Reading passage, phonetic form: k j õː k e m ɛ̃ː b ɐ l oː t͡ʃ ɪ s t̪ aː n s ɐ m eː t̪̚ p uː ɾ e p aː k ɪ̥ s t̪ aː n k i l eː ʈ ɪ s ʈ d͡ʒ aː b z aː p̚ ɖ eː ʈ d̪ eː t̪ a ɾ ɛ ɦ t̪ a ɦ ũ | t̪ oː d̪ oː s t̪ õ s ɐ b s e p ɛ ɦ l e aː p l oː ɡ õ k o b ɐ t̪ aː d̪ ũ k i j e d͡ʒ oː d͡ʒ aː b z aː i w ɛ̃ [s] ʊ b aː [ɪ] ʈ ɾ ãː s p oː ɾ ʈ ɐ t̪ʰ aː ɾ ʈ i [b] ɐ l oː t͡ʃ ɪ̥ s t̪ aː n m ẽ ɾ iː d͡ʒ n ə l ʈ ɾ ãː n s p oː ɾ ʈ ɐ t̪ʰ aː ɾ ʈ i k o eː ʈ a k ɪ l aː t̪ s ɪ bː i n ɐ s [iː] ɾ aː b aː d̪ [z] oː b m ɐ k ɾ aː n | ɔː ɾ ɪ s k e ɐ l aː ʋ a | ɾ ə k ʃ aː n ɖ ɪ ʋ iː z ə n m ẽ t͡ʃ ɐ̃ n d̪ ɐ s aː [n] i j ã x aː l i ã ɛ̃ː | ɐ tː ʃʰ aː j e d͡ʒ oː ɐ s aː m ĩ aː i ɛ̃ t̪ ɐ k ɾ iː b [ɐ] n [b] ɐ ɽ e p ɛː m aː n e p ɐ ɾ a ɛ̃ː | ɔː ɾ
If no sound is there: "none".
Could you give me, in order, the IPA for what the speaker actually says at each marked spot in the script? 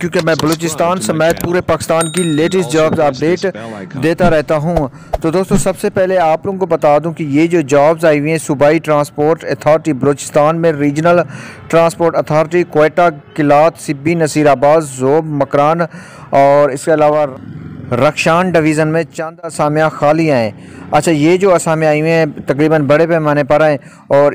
s, i, b, iː, z, m, ə, b

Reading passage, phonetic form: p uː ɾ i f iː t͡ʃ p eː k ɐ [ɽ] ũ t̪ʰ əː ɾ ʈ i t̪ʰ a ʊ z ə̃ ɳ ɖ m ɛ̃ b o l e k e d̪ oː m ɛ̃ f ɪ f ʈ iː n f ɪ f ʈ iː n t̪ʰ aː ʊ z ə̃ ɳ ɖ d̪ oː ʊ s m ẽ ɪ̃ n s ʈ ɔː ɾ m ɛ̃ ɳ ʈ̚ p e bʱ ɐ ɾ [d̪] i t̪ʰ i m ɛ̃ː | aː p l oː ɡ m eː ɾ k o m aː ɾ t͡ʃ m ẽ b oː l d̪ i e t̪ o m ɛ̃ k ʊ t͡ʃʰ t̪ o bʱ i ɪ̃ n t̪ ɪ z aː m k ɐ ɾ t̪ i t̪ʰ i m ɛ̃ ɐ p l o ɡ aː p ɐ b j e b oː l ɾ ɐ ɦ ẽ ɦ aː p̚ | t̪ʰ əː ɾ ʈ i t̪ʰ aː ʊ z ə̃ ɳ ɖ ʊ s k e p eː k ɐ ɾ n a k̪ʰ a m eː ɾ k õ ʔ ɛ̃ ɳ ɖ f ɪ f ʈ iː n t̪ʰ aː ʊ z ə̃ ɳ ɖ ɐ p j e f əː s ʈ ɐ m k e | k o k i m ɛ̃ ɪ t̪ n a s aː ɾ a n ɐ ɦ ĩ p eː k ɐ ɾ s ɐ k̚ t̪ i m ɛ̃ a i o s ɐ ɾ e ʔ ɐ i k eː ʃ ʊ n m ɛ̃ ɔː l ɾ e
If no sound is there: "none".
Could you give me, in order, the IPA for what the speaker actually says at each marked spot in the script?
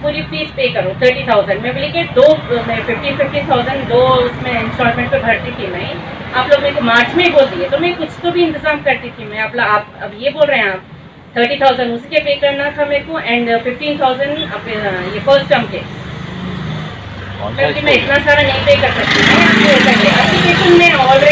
ɾ, t̪

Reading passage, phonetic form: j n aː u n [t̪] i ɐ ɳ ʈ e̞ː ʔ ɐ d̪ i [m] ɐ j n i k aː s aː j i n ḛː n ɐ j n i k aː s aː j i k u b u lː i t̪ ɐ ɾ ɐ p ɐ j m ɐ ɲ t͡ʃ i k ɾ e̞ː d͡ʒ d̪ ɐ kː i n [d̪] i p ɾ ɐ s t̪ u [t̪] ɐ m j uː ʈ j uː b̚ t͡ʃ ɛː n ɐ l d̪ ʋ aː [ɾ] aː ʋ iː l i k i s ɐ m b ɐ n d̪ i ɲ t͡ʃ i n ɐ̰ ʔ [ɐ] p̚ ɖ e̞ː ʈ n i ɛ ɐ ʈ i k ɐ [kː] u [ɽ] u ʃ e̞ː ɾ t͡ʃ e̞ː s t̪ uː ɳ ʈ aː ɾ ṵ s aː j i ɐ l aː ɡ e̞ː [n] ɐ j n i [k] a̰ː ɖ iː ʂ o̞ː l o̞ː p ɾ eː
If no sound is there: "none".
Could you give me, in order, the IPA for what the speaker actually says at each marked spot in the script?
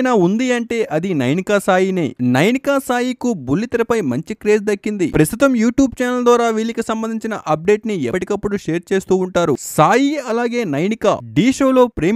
d̪, n, d̪, t̪, ɾ, ɐ, pː, ɽ, n, k

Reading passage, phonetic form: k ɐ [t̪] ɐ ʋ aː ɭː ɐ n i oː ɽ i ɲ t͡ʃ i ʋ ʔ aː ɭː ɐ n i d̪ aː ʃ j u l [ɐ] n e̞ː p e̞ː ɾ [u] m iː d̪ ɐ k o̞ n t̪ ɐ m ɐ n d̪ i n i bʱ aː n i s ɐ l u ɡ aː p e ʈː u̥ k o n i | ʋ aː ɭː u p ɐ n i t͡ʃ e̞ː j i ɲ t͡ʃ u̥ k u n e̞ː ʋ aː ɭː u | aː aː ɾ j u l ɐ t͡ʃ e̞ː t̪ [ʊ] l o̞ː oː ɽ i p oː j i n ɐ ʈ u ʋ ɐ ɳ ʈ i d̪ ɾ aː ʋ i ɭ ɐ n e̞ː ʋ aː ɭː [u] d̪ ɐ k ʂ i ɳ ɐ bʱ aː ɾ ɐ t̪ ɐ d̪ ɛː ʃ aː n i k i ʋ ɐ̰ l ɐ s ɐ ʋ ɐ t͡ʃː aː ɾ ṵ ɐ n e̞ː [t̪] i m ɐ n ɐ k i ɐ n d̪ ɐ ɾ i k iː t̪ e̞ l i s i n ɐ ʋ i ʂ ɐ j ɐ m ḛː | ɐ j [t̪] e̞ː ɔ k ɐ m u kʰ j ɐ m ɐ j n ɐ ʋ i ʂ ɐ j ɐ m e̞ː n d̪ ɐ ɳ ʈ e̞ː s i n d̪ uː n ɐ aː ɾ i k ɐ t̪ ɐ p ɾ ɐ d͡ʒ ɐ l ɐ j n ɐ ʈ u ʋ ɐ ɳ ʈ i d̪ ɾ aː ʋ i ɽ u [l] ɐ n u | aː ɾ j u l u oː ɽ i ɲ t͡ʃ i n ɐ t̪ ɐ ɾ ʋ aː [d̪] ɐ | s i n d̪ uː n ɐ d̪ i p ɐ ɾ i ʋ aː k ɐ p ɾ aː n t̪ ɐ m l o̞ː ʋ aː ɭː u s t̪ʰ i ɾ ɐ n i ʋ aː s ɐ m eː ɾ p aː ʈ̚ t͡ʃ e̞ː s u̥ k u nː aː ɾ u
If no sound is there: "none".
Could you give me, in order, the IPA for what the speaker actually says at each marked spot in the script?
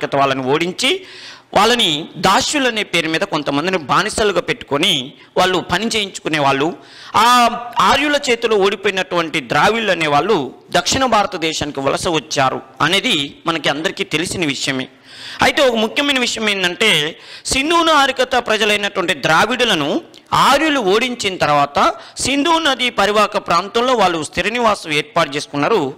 t̪, ɐ, u, u, u, d̪, t̪, l, t̪

